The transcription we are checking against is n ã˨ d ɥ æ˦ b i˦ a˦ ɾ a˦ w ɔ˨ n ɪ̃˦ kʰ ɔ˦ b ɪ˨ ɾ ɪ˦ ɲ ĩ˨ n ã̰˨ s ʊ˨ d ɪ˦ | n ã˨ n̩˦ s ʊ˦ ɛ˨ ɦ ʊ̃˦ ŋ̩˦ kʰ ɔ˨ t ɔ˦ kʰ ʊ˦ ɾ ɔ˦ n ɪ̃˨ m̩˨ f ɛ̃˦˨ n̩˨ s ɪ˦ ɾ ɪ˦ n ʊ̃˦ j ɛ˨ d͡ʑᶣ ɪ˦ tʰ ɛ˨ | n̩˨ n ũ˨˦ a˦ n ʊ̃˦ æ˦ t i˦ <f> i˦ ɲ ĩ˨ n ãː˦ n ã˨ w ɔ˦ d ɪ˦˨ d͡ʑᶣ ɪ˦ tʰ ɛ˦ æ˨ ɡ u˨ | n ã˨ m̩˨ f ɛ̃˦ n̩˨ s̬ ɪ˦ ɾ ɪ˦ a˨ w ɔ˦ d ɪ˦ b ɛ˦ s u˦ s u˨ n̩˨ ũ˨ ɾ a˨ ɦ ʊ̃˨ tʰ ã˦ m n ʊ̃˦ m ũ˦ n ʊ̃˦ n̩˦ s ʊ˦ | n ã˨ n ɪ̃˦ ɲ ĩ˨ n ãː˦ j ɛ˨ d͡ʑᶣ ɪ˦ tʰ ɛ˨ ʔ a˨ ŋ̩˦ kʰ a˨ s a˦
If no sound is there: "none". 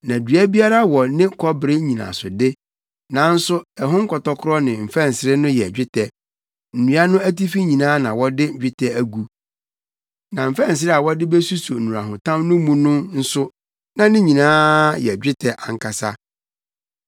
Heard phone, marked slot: f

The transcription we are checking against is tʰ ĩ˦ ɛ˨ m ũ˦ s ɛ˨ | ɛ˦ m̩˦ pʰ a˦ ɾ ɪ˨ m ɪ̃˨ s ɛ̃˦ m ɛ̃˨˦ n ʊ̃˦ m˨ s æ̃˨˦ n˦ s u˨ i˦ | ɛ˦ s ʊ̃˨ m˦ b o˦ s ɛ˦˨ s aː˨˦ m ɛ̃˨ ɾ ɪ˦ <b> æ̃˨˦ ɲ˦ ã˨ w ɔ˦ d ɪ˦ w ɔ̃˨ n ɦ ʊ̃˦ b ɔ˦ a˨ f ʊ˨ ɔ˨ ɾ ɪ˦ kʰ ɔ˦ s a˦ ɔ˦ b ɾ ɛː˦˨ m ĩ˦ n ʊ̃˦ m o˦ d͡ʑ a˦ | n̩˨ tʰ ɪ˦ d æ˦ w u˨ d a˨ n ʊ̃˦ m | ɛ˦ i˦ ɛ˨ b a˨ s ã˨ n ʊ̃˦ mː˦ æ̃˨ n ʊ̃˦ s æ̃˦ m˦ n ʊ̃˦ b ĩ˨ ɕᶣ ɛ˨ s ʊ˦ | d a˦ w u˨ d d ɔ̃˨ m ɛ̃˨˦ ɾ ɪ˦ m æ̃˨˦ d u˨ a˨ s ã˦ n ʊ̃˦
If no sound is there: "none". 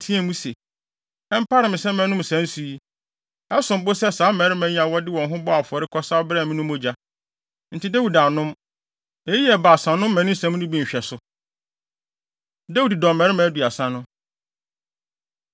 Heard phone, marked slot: m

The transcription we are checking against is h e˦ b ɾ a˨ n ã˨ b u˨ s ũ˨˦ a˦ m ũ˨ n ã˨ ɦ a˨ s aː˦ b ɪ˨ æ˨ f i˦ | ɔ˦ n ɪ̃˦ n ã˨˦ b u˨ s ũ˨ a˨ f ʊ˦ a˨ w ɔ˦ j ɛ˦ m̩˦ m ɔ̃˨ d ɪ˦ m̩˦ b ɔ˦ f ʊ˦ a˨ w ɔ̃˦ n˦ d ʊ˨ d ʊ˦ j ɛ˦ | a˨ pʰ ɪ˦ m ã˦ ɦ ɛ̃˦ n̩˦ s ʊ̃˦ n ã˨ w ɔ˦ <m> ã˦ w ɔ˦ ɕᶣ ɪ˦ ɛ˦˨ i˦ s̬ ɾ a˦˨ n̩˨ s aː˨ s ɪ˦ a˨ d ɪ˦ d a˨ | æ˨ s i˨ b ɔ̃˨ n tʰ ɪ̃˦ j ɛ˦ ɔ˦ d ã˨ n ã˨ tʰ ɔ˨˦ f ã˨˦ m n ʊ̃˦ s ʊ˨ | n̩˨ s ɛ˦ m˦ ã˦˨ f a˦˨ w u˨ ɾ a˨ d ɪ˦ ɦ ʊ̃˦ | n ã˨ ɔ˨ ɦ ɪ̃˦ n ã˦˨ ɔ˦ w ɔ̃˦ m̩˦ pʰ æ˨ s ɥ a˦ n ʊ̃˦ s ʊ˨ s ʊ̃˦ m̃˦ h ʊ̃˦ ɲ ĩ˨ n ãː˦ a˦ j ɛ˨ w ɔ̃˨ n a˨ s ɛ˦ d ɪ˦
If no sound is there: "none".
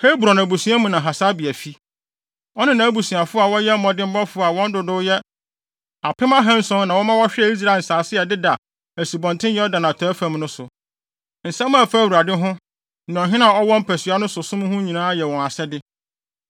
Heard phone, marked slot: m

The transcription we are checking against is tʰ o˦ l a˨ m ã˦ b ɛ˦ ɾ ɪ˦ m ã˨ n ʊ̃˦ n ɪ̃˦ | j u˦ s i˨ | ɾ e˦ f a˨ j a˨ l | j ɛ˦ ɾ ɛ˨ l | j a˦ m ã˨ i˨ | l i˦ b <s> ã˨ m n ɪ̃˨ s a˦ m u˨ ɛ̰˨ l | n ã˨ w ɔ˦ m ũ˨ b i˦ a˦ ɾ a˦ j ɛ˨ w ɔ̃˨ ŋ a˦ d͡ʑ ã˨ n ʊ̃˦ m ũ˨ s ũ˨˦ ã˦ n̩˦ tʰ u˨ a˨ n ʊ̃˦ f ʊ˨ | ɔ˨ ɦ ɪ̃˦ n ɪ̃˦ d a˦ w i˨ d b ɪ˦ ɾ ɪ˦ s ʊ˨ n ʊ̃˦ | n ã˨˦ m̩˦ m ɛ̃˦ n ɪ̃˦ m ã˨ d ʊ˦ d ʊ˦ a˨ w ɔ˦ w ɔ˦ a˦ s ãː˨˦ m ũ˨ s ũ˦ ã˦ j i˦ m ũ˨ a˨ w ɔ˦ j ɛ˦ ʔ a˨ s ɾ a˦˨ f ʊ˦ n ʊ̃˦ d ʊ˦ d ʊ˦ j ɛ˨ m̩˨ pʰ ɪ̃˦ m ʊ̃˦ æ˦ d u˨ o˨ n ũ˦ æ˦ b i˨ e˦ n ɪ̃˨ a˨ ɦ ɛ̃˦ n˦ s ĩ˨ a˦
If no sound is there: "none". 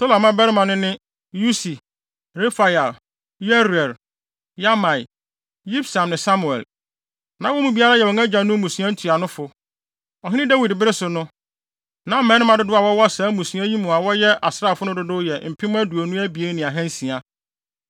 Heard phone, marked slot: s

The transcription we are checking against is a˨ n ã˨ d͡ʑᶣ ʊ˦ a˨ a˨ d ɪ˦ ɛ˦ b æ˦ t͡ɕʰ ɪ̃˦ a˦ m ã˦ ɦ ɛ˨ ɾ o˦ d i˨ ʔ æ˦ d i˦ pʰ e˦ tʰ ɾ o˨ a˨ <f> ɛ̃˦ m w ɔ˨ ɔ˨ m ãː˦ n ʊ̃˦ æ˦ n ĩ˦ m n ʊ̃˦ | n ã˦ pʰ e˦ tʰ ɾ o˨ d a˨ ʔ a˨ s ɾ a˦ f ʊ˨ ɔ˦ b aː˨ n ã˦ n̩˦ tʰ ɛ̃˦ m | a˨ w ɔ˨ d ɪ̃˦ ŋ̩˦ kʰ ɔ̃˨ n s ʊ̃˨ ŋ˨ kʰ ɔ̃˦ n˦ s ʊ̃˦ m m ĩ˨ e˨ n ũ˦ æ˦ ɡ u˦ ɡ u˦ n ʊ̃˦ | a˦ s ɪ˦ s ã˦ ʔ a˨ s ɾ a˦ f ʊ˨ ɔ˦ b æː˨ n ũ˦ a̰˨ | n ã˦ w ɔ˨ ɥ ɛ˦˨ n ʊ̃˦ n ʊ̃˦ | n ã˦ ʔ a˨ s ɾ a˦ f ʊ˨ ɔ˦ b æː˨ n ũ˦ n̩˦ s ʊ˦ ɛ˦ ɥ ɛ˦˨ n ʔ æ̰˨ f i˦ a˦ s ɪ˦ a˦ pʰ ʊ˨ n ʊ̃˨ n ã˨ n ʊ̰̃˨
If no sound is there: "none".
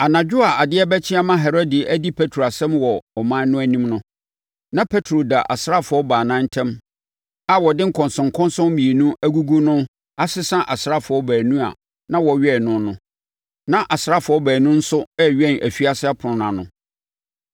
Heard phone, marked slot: s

